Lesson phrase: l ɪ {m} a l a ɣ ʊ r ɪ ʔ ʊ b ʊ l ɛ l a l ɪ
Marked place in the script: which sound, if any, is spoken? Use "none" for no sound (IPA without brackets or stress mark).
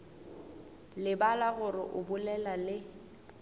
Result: b